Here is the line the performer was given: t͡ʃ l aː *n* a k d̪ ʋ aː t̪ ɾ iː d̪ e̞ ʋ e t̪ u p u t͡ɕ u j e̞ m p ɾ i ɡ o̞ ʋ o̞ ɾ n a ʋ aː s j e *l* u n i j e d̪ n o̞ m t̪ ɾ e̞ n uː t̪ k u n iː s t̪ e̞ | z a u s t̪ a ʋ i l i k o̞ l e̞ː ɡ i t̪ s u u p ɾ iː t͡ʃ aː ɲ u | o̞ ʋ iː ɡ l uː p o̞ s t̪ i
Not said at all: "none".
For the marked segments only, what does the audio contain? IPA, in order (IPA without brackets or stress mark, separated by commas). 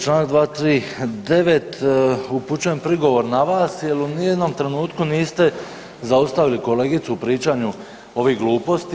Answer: n, l